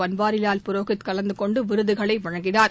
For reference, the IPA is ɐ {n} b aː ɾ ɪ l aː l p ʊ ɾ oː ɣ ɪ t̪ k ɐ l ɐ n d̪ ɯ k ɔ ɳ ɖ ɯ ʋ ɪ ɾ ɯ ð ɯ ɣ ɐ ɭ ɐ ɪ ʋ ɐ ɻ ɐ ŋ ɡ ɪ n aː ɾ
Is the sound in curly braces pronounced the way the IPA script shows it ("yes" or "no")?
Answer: yes